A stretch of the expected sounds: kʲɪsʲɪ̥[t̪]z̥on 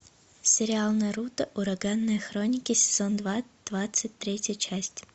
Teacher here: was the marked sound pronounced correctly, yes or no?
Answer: no